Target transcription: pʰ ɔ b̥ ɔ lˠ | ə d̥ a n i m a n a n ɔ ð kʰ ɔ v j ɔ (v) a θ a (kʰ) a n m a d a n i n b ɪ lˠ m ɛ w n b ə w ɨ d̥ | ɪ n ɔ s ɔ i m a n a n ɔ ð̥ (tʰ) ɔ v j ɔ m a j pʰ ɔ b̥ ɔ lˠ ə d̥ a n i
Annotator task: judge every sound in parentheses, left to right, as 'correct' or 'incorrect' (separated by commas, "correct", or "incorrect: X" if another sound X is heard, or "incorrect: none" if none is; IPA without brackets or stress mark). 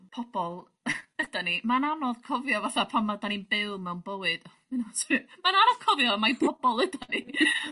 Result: correct, incorrect: pʰ, incorrect: kʰ